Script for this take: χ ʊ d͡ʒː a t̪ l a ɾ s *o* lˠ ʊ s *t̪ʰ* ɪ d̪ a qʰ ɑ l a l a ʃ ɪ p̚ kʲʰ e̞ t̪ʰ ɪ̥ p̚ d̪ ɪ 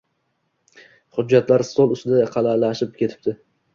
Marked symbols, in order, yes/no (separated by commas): yes, no